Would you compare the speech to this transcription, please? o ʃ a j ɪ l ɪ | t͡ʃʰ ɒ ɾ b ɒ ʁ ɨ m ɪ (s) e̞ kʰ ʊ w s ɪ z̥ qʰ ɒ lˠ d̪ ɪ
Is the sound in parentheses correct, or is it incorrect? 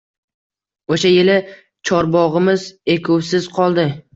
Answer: incorrect